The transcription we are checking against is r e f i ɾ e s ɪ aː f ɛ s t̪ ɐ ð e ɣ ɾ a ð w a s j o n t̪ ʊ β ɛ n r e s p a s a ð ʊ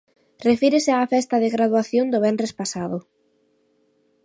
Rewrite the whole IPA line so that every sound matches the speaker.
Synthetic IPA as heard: r e f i ɾ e s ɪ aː f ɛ s t̪ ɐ ð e ɣ ɾ a ð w a θ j o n d̪ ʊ β ɛ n r e s p a s a ð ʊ